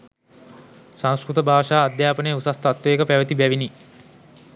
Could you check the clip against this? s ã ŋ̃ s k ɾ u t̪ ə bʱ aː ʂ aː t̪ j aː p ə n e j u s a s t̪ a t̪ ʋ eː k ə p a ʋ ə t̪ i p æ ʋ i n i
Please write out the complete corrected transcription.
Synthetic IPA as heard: s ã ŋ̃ s k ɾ u t̪ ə bʱ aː ʂ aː d̪ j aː p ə n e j u s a s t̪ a t̪ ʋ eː k ə p æ ʋ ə t̪ i b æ ʋ i n i